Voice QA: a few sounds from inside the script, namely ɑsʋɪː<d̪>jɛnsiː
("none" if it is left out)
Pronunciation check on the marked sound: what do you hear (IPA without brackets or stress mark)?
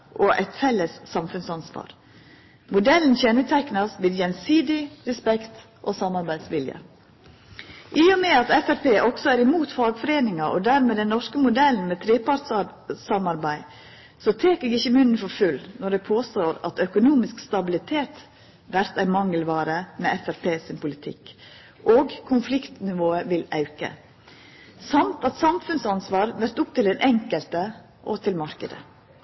d̪